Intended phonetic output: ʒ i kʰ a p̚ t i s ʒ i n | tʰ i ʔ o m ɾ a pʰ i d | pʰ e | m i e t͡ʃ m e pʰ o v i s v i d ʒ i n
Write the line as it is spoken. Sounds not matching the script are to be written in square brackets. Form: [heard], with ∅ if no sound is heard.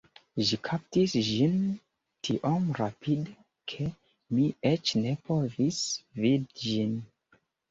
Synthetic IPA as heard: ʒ i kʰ a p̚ t i s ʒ i n | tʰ i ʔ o m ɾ a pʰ i d | [kʰ] e | m i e t͡ʃ [n] e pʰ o v i s v i d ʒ i n